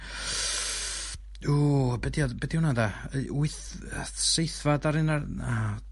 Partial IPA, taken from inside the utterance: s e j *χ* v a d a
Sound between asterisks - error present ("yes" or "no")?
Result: yes